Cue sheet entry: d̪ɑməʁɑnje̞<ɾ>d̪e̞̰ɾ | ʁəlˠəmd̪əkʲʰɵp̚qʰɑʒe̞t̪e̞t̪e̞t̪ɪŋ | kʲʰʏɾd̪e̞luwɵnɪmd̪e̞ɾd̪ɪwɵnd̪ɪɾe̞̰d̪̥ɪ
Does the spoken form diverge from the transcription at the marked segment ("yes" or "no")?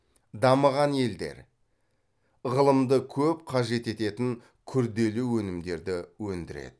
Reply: yes